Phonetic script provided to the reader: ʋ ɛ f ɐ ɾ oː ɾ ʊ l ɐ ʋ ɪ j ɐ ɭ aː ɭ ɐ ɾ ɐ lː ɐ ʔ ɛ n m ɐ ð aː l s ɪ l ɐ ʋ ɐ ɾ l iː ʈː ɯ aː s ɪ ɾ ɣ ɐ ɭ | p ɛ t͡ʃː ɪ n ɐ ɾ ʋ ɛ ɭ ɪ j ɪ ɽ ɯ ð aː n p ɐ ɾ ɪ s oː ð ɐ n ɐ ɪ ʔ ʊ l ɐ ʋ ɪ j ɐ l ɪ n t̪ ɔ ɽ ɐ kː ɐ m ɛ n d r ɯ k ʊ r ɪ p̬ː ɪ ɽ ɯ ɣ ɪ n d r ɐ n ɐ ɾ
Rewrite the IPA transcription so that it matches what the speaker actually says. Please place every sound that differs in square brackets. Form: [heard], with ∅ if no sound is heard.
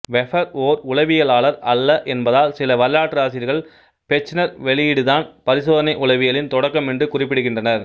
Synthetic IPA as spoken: ʋ ɛ f ɐ ɾ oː ɾ ʊ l ɐ ʋ ɪ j ɐ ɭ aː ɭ ɐ ɾ ɐ lː ɐ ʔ ɛ n [b] ɐ ð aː l s ɪ l ɐ ʋ ɐ ɾ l [aː] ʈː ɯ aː s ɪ ɾ ɣ ɐ ɭ | p ɛ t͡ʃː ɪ n ɐ ɾ ʋ ɛ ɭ ɪ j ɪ ɽ ɯ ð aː n p ɐ ɾ ɪ s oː ð ɐ n ɐ ɪ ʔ ʊ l ɐ ʋ ɪ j ɐ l ɪ n t̪ ɔ ɽ ɐ kː ɐ m ɛ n d r ɯ k ʊ r ɪ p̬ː ɪ ɽ ɯ ɣ ɪ n d r ɐ n ɐ ɾ